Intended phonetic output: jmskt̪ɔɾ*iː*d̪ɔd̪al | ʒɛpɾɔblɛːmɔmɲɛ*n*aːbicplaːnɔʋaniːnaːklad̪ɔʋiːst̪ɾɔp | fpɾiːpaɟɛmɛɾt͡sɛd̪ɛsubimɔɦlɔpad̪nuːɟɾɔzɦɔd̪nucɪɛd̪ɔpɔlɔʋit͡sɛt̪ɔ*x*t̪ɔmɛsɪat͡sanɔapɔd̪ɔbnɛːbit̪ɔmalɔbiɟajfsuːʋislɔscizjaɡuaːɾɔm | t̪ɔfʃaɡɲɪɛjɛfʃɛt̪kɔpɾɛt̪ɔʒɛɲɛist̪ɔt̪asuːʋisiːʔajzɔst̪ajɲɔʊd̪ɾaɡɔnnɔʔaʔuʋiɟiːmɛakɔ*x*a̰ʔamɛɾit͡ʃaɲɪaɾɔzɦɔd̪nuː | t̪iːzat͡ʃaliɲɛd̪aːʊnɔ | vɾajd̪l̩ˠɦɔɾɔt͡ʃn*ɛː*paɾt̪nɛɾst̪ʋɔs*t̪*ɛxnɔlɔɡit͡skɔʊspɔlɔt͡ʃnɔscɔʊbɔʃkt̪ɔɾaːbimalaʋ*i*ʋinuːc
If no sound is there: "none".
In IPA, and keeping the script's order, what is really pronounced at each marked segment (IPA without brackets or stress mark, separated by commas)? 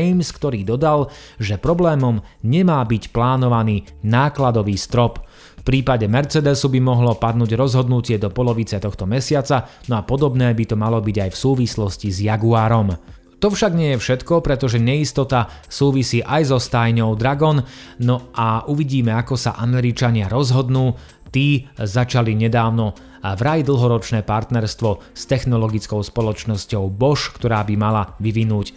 iː, m, x, s, ɛː, t̪, i